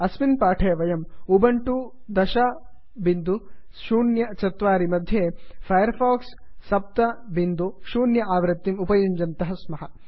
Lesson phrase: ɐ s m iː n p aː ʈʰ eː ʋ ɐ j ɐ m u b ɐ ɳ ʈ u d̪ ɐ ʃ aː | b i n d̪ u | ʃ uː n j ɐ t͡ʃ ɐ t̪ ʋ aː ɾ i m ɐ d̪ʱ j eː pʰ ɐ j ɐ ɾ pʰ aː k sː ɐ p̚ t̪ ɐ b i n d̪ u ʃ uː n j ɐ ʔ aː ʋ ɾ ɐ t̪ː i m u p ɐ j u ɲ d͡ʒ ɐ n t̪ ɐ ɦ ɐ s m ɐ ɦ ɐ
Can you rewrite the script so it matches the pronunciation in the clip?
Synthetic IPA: ɐ s m i n p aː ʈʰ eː ʋ ɐ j ɐ m u b ɐ ɳ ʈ u d̪ ɐ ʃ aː | b i n d̪ u | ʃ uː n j ɐ t͡ʃ ɐ t̪ ʋ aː ɾ i m ɐ d̪ʱ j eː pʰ ɐ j ɐ ɾ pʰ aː k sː ɐ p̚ t̪ ɐ b i n d̪ u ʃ uː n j ɐ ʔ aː ʋ ɾ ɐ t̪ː i m u p ɐ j u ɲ d͡ʒ ɐ n t̪ ɐ ɦ ɐ s m ɐ ɦ ɐ